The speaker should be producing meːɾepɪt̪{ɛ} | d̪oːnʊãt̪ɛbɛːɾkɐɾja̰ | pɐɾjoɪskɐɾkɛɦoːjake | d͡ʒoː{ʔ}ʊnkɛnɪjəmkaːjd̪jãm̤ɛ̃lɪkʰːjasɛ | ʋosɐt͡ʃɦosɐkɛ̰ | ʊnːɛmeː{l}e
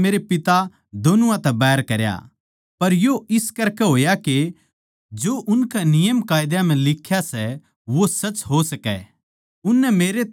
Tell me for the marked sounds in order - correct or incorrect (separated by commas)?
incorrect, correct, incorrect